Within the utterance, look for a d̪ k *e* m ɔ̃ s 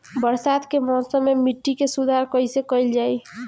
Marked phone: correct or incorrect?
correct